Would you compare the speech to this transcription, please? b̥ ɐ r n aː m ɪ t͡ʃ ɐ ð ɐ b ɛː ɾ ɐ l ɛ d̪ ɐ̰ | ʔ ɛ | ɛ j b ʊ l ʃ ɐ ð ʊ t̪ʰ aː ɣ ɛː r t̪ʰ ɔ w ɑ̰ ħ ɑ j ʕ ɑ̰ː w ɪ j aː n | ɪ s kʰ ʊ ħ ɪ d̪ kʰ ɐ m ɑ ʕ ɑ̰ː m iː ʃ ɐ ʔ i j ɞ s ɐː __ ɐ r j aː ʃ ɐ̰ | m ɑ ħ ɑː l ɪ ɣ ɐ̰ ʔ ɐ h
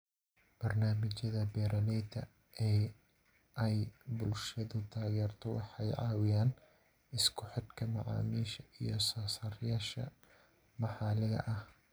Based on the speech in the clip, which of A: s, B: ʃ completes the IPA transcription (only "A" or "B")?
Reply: A